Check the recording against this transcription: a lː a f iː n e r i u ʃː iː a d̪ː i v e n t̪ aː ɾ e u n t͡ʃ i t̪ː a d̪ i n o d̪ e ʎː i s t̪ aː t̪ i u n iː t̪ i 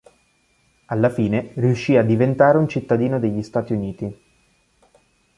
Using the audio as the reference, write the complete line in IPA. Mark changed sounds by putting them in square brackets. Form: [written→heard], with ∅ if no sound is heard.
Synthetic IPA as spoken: a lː a f iː n e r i u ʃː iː a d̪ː i v e n t̪ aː ɾ e u n t͡ʃ i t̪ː a d̪ [i→iː] n o d̪ e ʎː i s t̪ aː t̪ i u n iː t̪ i